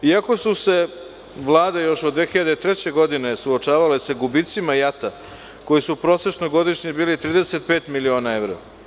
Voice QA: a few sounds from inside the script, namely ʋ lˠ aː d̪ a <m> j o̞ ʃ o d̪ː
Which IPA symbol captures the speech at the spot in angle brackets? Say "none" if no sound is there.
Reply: none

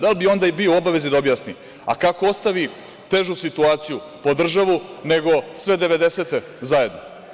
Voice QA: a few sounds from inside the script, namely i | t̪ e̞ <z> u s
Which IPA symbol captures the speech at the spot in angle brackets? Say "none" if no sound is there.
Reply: ʒ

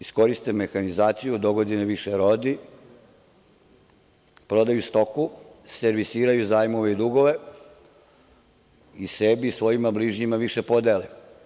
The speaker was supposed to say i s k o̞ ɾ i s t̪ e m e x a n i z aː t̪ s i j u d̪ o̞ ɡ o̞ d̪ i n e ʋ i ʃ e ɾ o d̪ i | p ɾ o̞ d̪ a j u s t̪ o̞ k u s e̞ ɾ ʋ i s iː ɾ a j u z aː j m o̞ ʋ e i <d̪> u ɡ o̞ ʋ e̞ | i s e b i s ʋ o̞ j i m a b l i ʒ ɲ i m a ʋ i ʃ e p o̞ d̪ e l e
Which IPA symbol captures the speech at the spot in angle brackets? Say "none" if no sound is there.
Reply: d̪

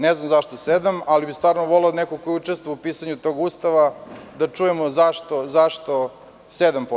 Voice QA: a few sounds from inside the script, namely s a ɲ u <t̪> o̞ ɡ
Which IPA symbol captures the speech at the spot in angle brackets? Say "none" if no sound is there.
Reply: t̪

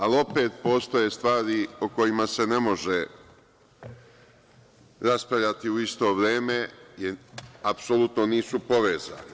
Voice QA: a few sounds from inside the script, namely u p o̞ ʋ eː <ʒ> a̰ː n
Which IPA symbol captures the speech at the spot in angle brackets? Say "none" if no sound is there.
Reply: z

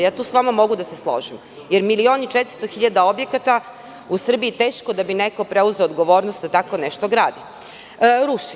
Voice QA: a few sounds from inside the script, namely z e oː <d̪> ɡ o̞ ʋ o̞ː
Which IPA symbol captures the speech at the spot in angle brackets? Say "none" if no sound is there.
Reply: d̪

